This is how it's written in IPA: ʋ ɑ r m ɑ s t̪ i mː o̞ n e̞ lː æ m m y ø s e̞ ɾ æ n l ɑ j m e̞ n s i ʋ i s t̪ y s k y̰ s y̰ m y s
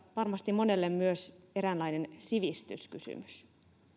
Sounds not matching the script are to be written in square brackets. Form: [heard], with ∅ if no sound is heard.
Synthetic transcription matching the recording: ʋ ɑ r m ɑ s t̪ i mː o̞ n e̞ lː [e] m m y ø s e̞ ɾ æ n l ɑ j [n] e̞ n s i ʋ i s t̪ y s k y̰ s y̰ m y s